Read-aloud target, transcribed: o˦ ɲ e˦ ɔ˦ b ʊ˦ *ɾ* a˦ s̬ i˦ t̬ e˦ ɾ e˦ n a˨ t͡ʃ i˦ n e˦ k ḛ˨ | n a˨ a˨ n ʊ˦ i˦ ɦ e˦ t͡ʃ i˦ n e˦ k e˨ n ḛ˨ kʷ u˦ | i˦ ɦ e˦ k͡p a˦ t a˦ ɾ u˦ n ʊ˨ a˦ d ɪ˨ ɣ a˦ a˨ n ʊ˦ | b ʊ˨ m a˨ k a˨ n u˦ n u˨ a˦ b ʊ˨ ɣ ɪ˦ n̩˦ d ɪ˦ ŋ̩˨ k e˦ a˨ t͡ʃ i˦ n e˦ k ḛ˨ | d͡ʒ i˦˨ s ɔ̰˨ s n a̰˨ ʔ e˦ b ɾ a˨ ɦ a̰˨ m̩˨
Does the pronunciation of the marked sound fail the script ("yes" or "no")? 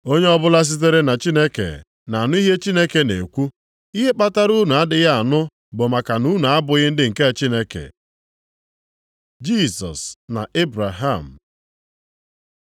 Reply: yes